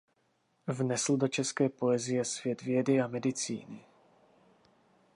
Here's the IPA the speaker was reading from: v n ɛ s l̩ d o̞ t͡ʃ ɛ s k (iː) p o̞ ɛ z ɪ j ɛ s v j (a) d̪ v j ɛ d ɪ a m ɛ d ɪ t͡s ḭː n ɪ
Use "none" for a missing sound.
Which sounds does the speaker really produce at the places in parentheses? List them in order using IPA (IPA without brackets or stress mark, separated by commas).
ɛː, ɛ